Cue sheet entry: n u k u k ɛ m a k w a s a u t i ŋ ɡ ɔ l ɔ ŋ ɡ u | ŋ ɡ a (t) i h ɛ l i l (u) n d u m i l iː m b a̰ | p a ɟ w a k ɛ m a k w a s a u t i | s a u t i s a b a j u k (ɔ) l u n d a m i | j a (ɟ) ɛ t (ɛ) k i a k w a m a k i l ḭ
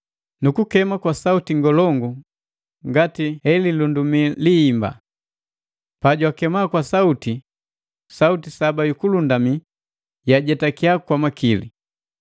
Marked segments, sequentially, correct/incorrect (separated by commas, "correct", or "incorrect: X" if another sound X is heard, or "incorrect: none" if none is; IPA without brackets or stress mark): correct, correct, incorrect: u, correct, incorrect: a